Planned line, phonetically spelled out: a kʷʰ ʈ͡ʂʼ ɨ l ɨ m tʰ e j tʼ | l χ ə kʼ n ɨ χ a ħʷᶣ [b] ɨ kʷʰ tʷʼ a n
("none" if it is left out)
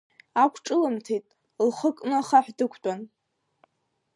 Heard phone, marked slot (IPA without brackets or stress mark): d